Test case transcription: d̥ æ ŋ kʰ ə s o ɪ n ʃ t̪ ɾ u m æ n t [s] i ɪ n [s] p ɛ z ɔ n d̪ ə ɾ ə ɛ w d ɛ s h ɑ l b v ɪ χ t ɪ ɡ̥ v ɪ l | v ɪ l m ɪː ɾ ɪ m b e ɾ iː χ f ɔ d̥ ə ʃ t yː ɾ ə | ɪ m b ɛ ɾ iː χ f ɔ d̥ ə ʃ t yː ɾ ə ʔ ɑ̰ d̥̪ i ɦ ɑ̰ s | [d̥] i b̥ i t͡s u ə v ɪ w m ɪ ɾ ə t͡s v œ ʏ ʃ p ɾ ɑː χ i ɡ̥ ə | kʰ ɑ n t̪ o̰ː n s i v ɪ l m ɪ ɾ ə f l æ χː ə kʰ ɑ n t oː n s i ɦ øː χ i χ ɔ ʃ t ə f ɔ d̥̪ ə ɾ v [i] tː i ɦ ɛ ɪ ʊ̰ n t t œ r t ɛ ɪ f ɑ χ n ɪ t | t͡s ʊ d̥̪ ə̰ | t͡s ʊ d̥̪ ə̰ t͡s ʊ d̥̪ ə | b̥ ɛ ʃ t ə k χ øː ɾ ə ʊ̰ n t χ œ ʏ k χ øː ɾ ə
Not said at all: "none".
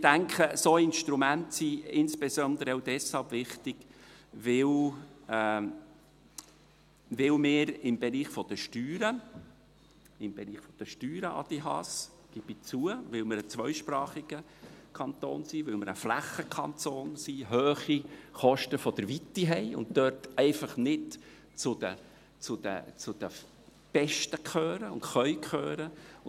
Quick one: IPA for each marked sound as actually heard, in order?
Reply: s, s, ɡ̥, i

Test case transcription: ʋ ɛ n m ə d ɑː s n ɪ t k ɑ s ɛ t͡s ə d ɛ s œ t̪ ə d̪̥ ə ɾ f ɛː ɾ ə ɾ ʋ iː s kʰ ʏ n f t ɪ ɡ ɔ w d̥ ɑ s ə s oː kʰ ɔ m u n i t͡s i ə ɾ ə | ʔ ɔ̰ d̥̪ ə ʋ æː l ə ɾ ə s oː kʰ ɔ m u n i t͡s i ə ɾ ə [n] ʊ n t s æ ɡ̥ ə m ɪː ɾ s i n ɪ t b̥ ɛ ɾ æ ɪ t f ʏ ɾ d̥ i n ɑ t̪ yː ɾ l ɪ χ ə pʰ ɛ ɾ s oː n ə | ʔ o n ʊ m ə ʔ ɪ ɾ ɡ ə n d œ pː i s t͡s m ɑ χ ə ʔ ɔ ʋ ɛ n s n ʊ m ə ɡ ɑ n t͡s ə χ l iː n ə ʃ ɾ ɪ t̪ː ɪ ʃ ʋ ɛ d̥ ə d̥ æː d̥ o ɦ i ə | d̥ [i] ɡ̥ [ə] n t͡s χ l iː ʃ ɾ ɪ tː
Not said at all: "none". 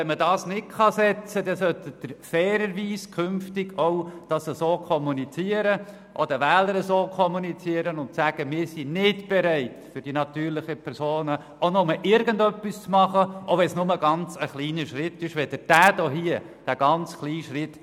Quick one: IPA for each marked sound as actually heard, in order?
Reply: n, æ, ɑ

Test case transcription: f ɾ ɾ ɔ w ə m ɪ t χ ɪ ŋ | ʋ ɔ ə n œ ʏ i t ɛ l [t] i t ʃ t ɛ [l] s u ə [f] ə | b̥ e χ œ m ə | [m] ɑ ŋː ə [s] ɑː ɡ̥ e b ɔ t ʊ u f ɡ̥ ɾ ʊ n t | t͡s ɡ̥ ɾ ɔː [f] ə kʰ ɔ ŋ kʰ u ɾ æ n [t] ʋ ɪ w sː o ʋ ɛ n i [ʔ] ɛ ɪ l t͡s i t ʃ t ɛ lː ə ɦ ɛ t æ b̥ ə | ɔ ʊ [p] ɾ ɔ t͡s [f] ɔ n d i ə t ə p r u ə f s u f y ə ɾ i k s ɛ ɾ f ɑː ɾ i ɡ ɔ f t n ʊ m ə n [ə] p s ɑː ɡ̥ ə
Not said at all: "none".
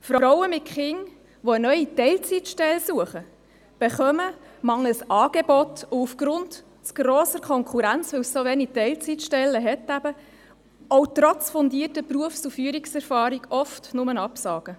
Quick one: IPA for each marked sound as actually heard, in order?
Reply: t͡s, l, χ, m, s, s, t͡s, t, t, f, ɑ

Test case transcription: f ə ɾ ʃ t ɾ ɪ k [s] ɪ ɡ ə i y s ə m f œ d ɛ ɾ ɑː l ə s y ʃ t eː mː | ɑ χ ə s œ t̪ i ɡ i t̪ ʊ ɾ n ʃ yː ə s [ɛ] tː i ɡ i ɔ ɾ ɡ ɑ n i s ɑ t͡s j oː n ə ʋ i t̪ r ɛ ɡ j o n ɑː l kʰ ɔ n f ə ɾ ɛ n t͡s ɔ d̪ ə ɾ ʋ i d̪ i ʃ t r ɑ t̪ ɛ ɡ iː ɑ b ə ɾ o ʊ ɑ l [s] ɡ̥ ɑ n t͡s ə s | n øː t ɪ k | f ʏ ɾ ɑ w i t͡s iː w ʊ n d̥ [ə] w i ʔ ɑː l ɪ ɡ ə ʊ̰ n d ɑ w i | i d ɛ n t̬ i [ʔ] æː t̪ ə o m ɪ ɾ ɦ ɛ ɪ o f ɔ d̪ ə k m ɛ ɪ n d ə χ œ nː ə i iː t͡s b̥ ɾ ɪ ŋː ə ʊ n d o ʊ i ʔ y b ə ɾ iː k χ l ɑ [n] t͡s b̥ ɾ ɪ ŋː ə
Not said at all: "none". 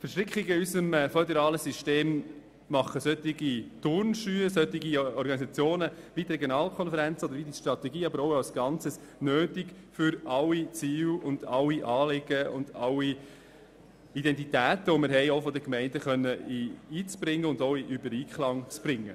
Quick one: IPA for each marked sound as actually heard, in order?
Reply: χ, œ, s, ɑ, t, ŋ

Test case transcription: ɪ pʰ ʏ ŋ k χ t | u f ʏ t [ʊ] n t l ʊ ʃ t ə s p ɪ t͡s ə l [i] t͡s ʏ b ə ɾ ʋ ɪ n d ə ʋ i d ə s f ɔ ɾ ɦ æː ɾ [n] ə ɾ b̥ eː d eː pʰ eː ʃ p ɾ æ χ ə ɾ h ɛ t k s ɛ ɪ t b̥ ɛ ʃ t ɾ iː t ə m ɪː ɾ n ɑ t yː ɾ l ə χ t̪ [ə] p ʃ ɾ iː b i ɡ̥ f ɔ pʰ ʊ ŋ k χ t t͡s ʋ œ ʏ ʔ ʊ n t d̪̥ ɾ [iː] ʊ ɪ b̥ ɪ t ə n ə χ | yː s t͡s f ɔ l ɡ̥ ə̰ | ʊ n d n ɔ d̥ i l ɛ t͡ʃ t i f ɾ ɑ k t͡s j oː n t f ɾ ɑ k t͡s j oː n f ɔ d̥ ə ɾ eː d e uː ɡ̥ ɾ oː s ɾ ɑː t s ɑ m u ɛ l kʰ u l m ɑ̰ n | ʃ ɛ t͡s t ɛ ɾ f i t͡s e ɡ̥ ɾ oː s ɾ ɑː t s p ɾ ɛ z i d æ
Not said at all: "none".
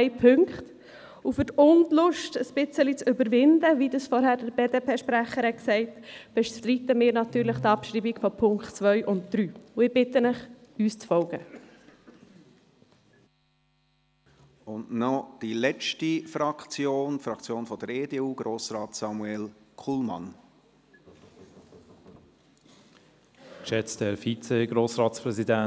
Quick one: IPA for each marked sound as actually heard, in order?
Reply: ʊ, i, d, ɑ, yː

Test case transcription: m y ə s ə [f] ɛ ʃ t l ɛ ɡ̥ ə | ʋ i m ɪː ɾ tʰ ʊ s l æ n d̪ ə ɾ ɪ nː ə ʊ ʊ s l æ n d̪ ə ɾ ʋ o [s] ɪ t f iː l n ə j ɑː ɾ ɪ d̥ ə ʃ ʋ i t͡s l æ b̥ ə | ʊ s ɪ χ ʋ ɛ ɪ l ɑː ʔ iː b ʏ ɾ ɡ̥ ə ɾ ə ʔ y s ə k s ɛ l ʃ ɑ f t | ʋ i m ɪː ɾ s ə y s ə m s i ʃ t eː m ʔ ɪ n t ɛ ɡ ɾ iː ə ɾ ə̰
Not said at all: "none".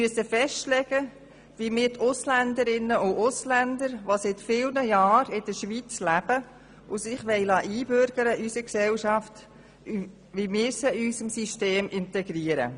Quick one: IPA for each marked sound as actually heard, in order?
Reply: f, s

